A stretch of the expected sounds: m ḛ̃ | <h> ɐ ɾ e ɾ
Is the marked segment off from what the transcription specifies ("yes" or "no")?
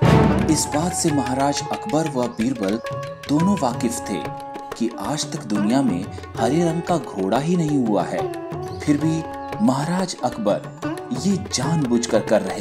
no